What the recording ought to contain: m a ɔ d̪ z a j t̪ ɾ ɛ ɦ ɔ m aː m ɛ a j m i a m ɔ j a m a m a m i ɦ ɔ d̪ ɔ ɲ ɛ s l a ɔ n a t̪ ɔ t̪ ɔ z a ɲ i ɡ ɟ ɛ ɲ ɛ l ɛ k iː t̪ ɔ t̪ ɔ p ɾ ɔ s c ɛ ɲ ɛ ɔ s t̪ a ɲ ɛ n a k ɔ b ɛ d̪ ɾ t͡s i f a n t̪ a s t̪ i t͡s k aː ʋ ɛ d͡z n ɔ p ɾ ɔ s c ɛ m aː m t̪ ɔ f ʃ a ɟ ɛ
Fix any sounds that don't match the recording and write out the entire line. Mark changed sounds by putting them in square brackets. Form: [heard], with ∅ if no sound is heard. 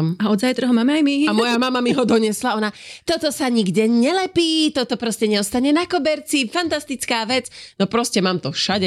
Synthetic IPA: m a ɔ d̪ z a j t̪ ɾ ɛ ɦ ɔ m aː m ɛ a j m i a m ɔ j a m a m a m i ɦ ɔ d̪ ɔ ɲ ɛ s l a ɔ n a t̪ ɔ t̪ ɔ [s] a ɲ i ɡ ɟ ɛ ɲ ɛ l ɛ [p] iː t̪ ɔ t̪ ɔ p ɾ ɔ s c ɛ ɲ ɛ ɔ s t̪ a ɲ ɛ n a k ɔ b ɛ [∅] ɾ t͡s i f a n t̪ a s t̪ i t͡s k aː ʋ ɛ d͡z n ɔ p ɾ ɔ s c ɛ m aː m t̪ ɔ f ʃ a ɟ ɛ